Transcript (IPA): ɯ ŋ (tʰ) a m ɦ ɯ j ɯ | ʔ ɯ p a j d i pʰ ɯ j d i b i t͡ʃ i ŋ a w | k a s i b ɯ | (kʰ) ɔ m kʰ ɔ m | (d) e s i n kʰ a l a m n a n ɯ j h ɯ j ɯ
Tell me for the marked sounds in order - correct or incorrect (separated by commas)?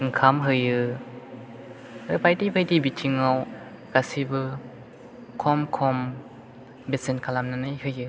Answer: incorrect, correct, incorrect